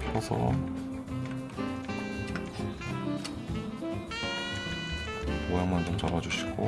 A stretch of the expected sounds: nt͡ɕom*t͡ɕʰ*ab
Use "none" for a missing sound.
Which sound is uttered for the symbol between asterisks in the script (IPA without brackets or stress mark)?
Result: t͡ɕ